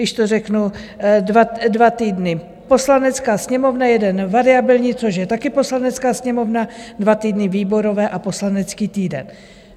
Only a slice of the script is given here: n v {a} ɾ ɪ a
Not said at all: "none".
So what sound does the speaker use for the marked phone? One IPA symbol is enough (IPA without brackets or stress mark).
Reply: a